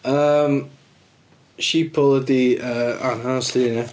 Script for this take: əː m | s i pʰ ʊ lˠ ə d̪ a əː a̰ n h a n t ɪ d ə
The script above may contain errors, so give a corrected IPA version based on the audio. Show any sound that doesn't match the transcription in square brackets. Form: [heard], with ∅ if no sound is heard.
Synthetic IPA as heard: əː m | [ʃ] i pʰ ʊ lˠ ə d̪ [i] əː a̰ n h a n [s] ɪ [n] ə